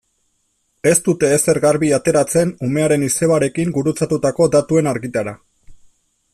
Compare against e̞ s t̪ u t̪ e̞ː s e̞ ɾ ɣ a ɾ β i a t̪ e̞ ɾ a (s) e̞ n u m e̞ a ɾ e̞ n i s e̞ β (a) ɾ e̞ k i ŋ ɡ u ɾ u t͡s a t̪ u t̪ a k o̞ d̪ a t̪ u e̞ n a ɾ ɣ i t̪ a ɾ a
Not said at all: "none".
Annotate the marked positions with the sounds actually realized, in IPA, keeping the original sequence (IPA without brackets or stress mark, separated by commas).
t͡s, a